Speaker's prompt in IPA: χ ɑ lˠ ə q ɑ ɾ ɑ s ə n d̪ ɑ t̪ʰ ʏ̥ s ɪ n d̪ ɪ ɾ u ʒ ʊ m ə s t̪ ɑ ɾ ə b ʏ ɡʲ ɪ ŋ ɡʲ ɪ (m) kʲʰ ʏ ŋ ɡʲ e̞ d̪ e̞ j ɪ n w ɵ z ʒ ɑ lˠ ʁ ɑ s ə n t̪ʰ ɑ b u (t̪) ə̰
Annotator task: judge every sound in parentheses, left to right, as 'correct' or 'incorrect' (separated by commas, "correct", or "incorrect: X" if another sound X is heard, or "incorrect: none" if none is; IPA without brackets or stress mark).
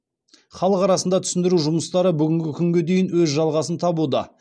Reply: incorrect: none, incorrect: d̪